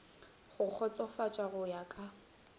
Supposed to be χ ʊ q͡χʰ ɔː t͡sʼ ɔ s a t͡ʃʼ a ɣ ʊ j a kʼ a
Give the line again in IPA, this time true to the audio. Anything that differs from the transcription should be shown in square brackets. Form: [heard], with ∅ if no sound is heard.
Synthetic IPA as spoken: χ ʊ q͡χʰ [ɔ] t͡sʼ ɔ [f] a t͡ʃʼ a ɣ ʊ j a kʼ a